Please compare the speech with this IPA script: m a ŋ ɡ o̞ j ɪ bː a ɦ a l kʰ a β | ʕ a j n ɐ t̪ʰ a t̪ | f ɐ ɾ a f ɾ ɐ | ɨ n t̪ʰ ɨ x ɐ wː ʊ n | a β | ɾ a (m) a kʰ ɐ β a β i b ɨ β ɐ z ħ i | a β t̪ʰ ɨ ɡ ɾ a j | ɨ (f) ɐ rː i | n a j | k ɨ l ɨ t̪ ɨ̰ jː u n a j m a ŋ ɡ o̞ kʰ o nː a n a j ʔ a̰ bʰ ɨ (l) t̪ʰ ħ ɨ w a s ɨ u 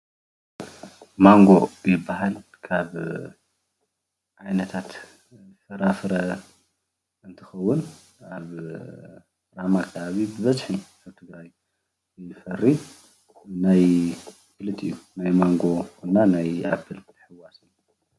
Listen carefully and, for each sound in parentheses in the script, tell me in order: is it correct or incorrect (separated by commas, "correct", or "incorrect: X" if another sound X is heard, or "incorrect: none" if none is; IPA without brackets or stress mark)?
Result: correct, correct, correct